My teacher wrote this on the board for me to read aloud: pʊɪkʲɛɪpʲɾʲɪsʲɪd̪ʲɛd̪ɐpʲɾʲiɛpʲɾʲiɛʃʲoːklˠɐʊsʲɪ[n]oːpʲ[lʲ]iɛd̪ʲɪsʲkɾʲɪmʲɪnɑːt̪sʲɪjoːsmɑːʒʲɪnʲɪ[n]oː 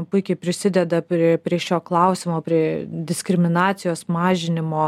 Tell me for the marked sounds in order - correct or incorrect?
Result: incorrect, incorrect, incorrect

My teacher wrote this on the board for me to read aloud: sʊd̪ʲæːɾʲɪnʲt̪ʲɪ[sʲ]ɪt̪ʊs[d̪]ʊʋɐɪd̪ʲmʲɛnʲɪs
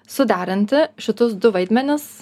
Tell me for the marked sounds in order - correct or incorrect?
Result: incorrect, correct

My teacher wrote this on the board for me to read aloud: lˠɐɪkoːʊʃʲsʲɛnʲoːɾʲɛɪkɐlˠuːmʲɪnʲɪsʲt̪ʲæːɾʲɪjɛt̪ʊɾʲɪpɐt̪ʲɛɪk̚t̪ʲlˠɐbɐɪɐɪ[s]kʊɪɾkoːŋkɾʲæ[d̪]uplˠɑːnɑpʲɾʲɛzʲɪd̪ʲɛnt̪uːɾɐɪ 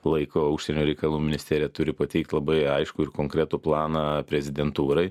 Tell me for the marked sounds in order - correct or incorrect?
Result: incorrect, incorrect

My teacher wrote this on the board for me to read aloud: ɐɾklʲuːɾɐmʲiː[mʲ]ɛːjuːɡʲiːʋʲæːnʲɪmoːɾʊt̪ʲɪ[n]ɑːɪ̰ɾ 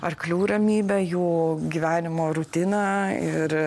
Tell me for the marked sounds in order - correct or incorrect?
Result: incorrect, correct

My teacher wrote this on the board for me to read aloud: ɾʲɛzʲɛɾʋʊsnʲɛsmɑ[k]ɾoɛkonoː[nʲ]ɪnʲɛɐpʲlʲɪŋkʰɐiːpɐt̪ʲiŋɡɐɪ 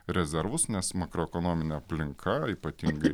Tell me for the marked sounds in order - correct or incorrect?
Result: correct, incorrect

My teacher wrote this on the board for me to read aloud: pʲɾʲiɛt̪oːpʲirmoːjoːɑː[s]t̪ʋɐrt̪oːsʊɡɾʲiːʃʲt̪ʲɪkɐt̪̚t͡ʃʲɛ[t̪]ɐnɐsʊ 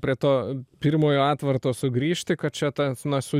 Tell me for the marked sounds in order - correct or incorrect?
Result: incorrect, correct

